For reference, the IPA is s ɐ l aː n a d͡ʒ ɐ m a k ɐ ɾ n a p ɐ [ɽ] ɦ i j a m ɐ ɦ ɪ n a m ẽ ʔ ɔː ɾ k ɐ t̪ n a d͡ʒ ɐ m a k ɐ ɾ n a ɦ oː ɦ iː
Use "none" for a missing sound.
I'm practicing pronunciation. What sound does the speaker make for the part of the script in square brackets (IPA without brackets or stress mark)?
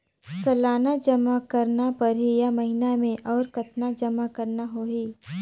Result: ɾ